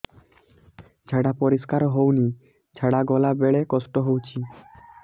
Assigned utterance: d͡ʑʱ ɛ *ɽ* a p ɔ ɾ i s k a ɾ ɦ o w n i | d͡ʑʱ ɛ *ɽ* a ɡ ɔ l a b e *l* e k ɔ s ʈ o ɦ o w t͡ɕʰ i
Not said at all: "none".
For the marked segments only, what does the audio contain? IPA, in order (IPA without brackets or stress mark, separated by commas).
ɽ, ɽ, ɭ